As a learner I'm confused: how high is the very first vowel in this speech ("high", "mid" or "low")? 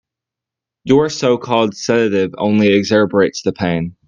mid